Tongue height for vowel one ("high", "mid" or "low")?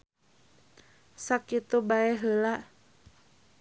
low